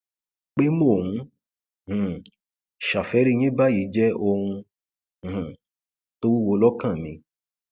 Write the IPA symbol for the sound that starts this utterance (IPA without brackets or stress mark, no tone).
k͡p